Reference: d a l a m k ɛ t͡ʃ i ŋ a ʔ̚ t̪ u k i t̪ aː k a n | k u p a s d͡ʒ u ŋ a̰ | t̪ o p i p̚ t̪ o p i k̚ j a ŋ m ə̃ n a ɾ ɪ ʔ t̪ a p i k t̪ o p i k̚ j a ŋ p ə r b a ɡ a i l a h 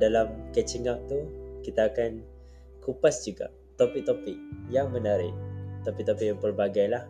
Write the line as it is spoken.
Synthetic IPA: d a l a m k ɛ t͡ʃ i ŋ a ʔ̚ t̪ u k i t̪ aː k a n | k u p a s d͡ʒ u ɡ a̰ | t̪ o p i k̚ t̪ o p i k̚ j a ŋ m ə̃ n a ɾ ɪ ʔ t̪ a p i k t̪ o p i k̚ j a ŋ p ə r b a ɡ a j l a h